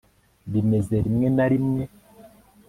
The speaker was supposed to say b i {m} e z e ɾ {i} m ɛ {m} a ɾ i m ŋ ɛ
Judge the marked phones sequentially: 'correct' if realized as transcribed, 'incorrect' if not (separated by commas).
correct, correct, incorrect